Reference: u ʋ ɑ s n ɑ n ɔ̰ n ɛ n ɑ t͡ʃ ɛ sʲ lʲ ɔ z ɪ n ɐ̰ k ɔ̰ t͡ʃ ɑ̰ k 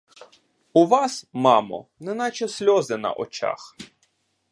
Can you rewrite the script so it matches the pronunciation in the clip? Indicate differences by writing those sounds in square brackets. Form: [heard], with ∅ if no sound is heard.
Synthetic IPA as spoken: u ʋ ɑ s [m] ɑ [m] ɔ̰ n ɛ n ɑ t͡ʃ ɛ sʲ lʲ ɔ z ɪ n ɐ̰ [ʔ] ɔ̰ t͡ʃ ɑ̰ [x]